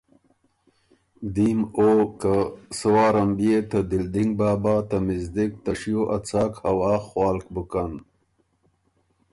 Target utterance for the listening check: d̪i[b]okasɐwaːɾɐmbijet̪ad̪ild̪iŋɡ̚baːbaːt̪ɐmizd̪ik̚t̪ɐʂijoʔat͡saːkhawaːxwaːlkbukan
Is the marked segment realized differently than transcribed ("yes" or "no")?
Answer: yes